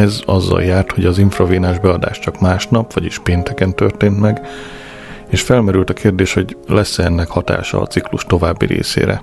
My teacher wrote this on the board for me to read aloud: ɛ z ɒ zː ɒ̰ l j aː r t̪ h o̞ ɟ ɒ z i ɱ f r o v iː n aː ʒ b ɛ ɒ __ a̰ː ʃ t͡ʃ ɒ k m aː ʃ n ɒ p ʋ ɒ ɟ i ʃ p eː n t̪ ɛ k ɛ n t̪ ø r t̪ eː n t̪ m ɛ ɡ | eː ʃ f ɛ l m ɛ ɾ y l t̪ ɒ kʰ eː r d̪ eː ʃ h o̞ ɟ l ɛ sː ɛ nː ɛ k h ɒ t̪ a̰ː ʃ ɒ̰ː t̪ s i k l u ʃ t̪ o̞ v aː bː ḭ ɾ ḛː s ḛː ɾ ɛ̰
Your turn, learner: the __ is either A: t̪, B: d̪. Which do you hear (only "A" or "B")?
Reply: B